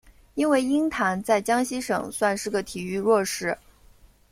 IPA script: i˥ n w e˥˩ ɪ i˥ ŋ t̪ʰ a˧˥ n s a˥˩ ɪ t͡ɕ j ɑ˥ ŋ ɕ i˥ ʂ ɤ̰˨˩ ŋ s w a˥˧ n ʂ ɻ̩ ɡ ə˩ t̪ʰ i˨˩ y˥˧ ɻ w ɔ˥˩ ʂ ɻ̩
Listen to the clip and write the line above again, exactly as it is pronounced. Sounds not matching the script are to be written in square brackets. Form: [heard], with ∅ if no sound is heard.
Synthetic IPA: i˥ n w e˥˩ ɪ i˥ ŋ t̪ʰ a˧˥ n [t͡s] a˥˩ ɪ t͡ɕ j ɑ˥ ŋ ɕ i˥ ʂ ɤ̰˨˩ ŋ s w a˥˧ n ʂ ɻ̩ ɡ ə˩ t̪ʰ i˨˩ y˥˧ ɻ w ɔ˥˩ ʂ ɻ̩